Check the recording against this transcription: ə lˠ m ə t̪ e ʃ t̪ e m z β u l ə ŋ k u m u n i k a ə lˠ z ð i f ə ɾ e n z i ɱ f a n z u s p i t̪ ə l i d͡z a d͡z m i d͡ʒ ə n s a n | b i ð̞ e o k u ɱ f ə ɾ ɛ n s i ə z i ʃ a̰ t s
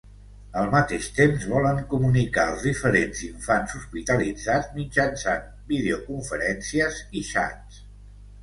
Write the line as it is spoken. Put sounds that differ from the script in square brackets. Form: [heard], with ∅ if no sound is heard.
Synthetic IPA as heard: ə lˠ m ə t̪ e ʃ t̪ e m z β [ɔ] l ə ŋ k u m u n i k a ə lˠ z ð i f ə ɾ e n z i ɱ f a n z u s p i t̪ ə l i d͡z a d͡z m i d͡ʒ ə n s a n | b i ð̞ e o k u ɱ f ə ɾ ɛ n s i ə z i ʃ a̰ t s